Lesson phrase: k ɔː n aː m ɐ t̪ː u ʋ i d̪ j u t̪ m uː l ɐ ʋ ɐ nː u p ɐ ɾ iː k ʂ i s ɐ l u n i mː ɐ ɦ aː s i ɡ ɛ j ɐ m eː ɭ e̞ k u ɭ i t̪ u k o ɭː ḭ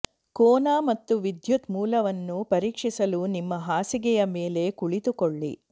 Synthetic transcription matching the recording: k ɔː n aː m ɐ t̪ː u ʋ i d̪ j u t̪ m uː l ɐ ʋ ɐ nː u p ɐ ɾ iː k ʂ i s ɐ l u n i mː ɐ ɦ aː s i ɡ ɛ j ɐ m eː l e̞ k u ɭ i t̪ u k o ɭː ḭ